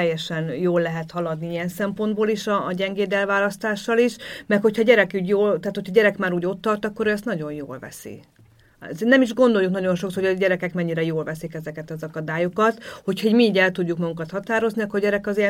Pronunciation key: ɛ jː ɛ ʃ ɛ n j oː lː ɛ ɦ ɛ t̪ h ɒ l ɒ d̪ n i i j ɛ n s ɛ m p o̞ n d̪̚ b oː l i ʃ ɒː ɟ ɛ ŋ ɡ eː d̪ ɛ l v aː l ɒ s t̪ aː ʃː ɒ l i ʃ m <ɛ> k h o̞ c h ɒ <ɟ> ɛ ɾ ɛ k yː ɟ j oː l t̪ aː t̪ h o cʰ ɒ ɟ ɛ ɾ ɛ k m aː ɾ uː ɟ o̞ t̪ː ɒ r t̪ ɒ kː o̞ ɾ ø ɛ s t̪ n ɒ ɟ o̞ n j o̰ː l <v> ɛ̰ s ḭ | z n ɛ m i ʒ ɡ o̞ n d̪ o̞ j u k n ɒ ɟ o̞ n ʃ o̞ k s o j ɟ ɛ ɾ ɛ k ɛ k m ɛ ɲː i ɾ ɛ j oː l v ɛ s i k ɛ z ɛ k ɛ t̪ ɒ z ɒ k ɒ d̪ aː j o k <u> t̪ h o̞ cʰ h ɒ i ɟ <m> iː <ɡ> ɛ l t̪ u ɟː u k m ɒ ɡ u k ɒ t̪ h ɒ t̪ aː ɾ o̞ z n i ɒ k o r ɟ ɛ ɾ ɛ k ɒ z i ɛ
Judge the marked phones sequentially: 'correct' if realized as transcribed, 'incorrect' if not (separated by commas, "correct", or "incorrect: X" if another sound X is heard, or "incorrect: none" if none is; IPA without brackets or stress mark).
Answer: correct, correct, correct, incorrect: ɒ, correct, incorrect: ɟ